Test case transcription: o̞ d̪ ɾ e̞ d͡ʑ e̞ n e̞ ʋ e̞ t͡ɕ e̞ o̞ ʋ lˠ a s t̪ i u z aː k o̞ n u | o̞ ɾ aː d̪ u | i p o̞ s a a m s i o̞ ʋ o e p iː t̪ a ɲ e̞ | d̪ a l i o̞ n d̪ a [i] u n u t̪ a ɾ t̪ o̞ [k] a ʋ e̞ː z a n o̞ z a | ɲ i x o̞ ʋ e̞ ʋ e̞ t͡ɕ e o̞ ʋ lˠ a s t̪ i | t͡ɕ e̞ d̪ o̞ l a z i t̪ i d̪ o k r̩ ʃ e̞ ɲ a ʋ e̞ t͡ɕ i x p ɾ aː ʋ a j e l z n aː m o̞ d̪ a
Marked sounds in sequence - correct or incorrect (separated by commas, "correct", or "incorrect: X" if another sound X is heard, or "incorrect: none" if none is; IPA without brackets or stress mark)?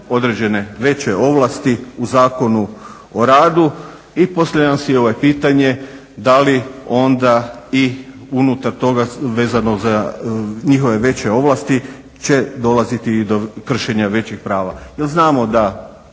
correct, incorrect: ɡ